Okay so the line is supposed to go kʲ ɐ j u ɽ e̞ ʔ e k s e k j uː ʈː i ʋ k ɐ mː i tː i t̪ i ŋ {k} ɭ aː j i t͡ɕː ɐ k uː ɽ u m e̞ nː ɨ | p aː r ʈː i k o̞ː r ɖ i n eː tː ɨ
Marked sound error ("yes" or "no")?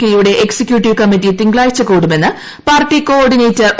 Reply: yes